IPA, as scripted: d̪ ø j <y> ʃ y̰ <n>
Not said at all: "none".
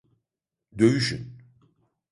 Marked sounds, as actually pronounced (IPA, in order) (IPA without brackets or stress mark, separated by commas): y, n